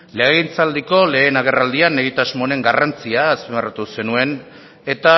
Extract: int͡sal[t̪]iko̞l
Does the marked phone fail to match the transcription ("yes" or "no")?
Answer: yes